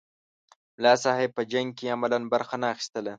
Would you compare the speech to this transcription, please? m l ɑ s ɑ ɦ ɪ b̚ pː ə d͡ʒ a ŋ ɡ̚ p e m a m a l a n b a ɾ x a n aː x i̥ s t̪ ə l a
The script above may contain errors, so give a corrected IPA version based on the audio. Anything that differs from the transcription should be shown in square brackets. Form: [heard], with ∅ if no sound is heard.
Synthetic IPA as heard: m l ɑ s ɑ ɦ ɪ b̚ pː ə d͡ʒ a ŋ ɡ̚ [k] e [∅] a m a l a n b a ɾ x a n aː x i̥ s t̪ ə l a